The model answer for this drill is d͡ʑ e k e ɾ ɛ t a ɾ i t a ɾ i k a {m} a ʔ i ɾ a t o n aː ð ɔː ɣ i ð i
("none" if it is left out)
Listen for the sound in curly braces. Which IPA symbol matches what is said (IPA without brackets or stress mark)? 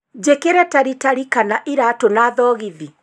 n